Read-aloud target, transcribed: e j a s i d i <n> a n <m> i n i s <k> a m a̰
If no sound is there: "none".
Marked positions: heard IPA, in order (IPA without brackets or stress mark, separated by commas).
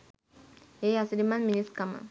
m, m, k